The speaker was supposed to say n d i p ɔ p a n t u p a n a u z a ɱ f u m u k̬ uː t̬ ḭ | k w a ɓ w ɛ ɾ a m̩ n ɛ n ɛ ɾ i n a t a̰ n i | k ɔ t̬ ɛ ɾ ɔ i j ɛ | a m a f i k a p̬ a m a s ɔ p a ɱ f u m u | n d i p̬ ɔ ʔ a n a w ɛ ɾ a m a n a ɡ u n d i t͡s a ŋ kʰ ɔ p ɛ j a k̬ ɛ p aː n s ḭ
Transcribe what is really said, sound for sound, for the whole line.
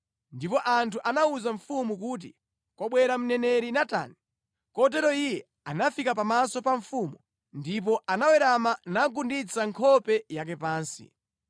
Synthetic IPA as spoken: n d i p ɔ ʔ a n t u ʔ a n a u z a ɱ f u m u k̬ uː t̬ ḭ | k w a ɓ w ɛ ɾ a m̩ n ɛ n ɛ ɾ i n a t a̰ n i | k ɔ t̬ ɛ ɾ ɔ i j ɛ | a n a f i k a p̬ a m a s ɔ p a ɱ f u m u | n d i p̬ ɔ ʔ a n a w ɛ ɾ a m a n a ɡ u n d i t͡s a ŋ kʰ ɔ p ɛ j a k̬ ɛ p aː n s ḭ